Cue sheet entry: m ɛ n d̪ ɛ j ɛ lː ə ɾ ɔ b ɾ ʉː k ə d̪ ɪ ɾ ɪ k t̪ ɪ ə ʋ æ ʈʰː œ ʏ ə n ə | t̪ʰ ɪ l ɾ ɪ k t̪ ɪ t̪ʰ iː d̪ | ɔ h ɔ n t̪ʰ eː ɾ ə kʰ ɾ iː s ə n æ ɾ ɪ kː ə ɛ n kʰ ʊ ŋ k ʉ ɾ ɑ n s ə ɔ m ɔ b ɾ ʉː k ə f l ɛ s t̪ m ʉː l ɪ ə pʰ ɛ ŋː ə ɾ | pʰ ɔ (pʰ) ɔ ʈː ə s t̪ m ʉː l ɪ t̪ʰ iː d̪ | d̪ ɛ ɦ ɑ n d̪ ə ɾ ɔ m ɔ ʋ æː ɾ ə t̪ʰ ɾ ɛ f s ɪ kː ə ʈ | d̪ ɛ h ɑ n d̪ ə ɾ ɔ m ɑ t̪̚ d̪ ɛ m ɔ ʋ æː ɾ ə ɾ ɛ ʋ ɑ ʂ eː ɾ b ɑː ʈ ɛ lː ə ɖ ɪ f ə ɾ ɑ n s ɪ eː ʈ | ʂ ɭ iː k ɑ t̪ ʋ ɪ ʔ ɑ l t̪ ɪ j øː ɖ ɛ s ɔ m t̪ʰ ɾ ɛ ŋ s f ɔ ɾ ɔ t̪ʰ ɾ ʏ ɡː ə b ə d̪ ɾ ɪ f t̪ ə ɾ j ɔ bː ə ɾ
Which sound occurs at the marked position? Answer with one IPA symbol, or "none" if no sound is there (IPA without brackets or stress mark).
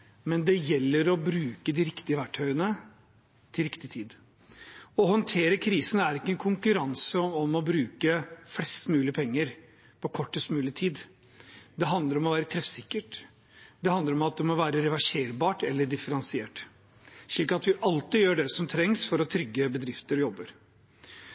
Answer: kʰ